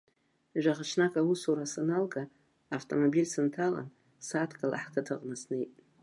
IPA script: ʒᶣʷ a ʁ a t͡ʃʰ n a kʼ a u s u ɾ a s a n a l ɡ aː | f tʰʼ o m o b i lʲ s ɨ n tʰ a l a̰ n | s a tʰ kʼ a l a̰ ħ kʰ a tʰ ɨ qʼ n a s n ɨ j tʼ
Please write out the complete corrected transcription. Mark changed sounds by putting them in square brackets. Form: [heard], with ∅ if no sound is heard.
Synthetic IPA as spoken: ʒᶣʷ a ʁ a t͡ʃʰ n a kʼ a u s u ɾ a s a n a l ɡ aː | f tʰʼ o m o b i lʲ s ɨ n tʰ a l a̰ n | s a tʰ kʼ a l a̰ ħ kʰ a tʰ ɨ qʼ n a s n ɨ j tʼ